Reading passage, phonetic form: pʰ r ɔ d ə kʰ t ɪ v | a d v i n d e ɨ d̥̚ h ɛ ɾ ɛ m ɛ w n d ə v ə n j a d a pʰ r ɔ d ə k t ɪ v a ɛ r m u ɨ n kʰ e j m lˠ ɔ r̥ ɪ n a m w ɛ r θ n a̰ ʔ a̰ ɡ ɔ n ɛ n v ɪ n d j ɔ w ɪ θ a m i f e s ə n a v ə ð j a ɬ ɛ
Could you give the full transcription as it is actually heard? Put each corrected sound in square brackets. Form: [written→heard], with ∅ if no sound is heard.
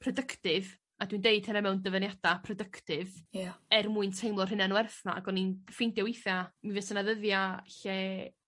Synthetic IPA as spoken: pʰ r ɔ d ə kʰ t ɪ v | a d [v→w] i n d e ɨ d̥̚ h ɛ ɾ ɛ m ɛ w n d ə v ə n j a d a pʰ r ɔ d ə k t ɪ v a ɛ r m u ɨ n [kʰ→tʰ] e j m lˠ ɔ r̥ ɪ n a [m→n] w ɛ r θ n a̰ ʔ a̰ ɡ ɔ n [ɛ→i] n [v→f] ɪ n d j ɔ w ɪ θ a m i [f→v] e s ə n a [v→ð] ə ð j a ɬ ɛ